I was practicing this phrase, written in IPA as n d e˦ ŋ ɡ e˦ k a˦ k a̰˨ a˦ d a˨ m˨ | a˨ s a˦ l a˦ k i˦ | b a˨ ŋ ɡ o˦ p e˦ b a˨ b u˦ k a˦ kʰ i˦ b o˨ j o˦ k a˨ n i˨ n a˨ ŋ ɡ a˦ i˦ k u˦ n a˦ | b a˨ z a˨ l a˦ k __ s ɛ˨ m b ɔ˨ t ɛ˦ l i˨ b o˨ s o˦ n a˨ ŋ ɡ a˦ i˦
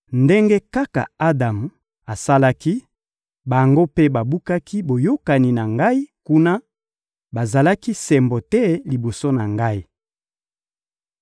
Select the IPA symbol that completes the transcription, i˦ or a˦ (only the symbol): i˦